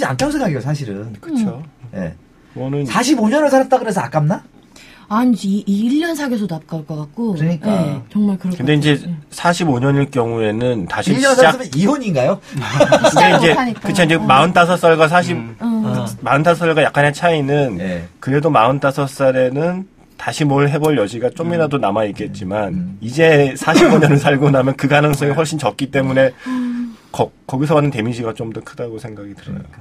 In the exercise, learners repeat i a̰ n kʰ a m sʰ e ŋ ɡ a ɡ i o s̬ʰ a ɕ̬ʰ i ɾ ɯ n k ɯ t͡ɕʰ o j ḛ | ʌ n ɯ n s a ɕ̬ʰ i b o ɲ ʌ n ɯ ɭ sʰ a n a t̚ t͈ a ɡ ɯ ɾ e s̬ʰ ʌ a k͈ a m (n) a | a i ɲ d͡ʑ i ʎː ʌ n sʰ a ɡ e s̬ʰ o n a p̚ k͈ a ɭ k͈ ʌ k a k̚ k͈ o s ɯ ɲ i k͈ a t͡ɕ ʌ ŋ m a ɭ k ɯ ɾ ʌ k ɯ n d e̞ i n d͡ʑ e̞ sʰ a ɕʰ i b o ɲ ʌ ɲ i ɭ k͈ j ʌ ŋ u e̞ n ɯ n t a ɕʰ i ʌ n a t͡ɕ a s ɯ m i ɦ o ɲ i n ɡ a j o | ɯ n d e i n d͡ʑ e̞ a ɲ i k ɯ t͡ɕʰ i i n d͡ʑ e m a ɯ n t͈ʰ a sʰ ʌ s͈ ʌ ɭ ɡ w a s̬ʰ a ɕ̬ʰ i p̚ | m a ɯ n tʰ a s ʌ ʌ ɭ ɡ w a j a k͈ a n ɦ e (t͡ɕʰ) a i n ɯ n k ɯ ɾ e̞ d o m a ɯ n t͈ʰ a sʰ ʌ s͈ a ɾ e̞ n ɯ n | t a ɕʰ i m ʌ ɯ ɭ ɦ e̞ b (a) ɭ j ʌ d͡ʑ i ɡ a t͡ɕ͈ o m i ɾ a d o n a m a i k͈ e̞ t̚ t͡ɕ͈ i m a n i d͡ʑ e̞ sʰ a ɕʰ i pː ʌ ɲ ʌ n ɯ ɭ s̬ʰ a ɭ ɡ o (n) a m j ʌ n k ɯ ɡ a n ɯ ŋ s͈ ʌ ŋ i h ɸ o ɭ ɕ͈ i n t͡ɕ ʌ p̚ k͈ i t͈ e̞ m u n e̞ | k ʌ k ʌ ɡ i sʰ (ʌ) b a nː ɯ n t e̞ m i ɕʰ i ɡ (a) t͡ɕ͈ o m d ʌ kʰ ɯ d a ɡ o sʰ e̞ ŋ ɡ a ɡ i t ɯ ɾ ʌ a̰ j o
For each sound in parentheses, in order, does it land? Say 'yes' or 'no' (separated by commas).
yes, yes, no, yes, yes, yes